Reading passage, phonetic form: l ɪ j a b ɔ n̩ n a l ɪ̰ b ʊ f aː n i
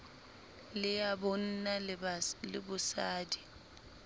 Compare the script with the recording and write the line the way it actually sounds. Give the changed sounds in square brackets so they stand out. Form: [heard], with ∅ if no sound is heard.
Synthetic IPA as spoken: l ɪ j a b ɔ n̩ n a l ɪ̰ b ʊ [s] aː [d] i

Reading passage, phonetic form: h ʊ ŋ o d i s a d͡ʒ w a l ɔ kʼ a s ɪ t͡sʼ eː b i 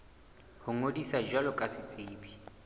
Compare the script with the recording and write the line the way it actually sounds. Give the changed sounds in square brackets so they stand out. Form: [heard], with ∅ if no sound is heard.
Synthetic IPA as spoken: h ʊ ŋ o d i s a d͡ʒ w a l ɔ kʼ a s ɪ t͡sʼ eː b i

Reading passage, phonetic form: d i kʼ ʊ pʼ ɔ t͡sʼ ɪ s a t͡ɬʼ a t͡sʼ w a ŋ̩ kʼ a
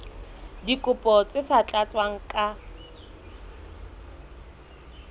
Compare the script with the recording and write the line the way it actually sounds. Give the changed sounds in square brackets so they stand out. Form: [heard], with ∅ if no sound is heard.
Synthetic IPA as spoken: d i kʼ ʊ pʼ ɔ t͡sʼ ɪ s a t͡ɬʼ a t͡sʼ w a ŋ̩ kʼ a

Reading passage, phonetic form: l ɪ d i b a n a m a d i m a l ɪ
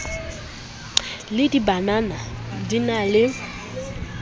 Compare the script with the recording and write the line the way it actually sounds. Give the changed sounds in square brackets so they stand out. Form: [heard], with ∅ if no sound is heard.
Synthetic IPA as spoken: l ɪ d i b a n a [n] a d i [n] a l ɪ

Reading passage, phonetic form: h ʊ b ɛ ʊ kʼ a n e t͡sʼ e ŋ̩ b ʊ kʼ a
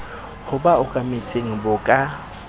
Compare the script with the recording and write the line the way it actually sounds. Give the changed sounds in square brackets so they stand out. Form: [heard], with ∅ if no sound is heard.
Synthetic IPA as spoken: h ʊ b [a] ʊ kʼ a [m] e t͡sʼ e ŋ̩ b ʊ kʼ a

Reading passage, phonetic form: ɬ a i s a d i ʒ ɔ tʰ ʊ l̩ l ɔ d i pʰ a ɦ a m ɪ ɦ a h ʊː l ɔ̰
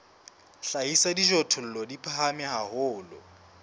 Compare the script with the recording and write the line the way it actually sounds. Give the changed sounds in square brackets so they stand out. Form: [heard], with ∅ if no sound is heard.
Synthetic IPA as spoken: ɬ a i s a d i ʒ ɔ tʰ ʊ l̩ l ɔ d i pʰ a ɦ a m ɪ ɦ a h ʊː l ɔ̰

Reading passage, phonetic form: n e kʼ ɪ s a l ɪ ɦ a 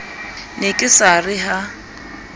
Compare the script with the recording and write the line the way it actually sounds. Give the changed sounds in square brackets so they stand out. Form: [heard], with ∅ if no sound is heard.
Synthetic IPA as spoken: n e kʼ ɪ s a [r] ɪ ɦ a

